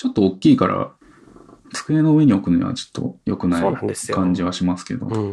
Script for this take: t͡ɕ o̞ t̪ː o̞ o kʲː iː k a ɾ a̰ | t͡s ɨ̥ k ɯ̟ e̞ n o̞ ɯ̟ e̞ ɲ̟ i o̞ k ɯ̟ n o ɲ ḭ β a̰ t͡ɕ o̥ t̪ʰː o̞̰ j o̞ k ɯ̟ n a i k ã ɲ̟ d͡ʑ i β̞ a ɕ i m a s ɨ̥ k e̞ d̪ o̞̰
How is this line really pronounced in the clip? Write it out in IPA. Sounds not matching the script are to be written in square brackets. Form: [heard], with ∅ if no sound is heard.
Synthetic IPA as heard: t͡ɕ o̞ t̪ː o̞ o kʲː iː k a ɾ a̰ | t͡s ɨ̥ k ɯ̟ e̞ n o̞ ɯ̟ e̞ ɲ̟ i o̞ k ɯ̟ n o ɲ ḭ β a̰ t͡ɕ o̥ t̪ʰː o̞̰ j o̞ k ɯ̟ n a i k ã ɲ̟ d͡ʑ i β̞ a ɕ i m a s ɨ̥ k e̞ d̪ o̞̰